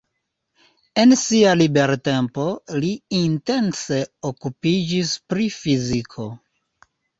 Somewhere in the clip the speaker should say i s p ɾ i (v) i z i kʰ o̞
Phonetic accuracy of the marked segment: incorrect: f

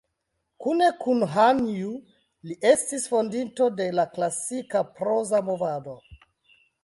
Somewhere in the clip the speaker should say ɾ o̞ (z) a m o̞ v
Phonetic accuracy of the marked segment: correct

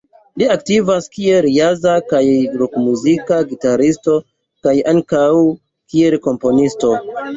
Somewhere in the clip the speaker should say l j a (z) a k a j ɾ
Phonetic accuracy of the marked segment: correct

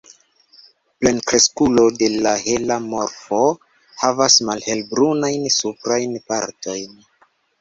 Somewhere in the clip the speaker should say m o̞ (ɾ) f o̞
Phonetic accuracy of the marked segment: correct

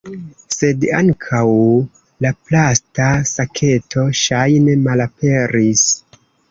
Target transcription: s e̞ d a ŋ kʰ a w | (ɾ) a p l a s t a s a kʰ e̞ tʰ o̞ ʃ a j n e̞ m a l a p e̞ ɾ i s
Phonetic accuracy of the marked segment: incorrect: l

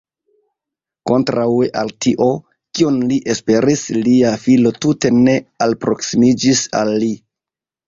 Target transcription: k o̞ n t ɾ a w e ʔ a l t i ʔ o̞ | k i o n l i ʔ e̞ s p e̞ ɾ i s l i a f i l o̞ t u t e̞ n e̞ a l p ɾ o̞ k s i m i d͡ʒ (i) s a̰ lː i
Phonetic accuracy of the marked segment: correct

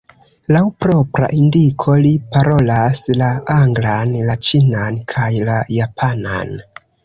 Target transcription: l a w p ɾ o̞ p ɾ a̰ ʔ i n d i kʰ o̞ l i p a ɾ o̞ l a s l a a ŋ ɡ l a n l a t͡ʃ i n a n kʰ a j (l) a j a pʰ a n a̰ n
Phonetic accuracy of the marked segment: correct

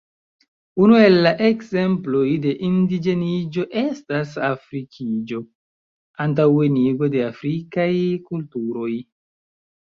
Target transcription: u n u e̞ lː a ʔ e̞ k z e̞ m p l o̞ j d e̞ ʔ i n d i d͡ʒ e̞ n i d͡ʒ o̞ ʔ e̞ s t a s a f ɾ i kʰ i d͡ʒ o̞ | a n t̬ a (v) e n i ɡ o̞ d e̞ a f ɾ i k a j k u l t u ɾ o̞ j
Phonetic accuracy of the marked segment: incorrect: w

